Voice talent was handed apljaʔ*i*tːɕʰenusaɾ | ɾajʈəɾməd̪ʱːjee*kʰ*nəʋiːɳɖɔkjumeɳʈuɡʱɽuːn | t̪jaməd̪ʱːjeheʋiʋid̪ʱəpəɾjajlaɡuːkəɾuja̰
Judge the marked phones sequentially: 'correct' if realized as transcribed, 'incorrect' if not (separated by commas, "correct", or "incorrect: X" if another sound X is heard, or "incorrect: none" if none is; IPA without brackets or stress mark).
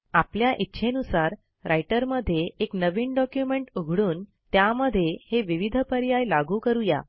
correct, incorrect: k